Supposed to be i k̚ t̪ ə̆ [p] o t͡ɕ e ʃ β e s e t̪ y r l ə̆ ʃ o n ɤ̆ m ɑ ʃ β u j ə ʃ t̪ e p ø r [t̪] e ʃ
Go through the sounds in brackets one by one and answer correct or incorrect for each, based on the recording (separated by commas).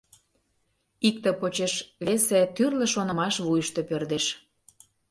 correct, incorrect